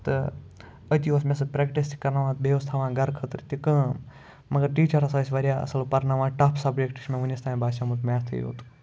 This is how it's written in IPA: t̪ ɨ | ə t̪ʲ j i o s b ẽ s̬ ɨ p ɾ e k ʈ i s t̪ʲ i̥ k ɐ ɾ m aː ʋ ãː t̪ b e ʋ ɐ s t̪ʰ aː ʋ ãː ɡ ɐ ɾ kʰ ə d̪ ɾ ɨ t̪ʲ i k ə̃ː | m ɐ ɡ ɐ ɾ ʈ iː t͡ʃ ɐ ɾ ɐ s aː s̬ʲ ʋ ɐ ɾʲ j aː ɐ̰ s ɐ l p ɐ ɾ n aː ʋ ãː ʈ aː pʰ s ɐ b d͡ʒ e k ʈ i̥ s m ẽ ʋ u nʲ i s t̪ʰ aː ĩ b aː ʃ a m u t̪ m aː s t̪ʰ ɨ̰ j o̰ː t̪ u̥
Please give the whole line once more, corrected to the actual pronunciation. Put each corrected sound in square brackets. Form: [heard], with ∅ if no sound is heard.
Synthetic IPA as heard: t̪ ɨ | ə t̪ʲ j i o s [m] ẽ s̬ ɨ p ɾ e k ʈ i s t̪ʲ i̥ k ɐ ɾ [n] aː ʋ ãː t̪ b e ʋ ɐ s t̪ʰ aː ʋ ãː ɡ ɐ ɾ kʰ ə [t̪] ɾ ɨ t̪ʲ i k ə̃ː | m ɐ ɡ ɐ ɾ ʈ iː t͡ʃ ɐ ɾ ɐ s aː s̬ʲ ʋ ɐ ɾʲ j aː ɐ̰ s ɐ l p ɐ ɾ n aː ʋ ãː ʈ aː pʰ s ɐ b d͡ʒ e k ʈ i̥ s m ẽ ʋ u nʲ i s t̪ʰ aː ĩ b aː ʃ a m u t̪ m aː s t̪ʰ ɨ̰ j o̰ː t̪ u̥